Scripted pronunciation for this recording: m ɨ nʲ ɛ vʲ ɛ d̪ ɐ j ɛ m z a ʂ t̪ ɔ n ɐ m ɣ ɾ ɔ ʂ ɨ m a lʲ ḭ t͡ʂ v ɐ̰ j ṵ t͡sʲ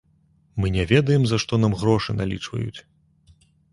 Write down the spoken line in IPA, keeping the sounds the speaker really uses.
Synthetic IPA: m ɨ nʲ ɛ vʲ ɛ d̪ ɐ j ɛ m z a ʂ t̪ ɔ n a m ɣ ɾ ɔ ʂ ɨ n a lʲ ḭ t͡ʂ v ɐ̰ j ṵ t͡sʲ